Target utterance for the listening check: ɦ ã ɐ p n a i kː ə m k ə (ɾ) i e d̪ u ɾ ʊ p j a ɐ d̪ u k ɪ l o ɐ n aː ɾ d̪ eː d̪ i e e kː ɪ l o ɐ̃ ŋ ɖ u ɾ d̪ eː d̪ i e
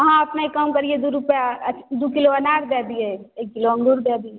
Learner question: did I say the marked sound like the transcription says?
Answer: yes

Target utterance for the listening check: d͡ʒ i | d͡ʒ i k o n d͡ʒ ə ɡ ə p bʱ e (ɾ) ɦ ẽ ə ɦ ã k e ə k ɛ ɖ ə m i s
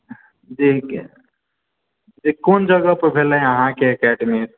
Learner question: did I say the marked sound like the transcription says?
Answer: no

